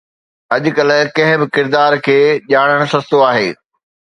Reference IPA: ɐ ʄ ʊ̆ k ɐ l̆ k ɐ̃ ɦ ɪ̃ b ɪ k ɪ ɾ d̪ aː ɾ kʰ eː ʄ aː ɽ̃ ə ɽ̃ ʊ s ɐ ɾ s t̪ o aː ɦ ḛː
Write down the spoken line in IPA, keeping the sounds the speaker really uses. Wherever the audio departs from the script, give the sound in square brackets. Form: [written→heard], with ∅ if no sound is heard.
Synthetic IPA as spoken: ɐ ʄ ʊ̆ k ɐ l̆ k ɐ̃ ɦ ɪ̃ b ɪ k ɪ ɾ d̪ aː ɾ kʰ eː ʄ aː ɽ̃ ə ɽ̃ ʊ s ɐ [ɾ→∅] s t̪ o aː ɦ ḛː